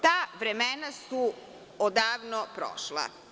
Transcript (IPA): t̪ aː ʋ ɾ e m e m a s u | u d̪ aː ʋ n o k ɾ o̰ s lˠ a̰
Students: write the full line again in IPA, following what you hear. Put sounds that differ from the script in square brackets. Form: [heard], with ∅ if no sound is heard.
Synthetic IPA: t̪ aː ʋ ɾ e m e [n] a s u | [o] d̪ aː ʋ n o [p] ɾ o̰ [ʃ] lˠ a̰